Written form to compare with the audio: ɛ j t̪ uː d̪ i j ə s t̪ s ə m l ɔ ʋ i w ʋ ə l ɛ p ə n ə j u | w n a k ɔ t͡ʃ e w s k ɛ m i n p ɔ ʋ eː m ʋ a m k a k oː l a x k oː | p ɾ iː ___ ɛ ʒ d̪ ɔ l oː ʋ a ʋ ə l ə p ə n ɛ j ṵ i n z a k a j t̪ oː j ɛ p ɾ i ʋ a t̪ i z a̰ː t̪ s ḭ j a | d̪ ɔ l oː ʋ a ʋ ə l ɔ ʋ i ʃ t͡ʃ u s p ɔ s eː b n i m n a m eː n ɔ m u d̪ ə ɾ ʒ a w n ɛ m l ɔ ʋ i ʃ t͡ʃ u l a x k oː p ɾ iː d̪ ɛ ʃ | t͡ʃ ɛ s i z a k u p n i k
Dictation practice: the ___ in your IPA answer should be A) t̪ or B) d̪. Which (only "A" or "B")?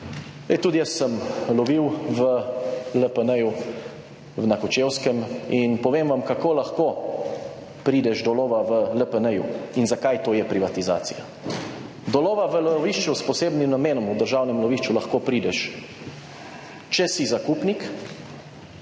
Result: B